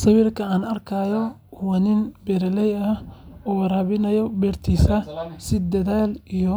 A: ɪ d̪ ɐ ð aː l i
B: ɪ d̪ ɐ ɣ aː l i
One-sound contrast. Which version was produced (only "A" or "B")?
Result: A